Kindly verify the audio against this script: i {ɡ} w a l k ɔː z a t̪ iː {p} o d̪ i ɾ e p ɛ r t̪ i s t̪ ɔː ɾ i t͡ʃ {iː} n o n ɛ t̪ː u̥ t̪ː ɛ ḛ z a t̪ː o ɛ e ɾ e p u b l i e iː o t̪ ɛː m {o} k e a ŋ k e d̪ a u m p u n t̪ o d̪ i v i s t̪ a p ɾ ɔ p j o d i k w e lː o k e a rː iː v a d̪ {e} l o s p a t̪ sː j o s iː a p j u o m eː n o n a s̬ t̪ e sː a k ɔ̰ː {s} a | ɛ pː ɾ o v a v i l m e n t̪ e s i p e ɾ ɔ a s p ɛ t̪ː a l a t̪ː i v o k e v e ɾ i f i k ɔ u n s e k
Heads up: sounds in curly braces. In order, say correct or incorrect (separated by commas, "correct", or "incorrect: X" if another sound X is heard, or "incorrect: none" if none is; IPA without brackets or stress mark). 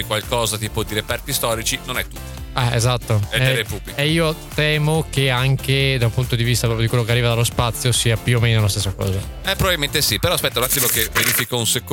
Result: incorrect: k, correct, incorrect: i, correct, incorrect: a, incorrect: z